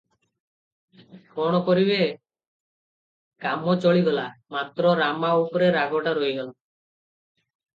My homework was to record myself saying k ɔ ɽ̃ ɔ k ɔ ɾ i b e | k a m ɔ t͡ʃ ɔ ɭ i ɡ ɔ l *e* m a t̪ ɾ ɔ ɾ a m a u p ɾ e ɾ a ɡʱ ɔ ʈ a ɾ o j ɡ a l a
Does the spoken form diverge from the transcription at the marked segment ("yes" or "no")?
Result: yes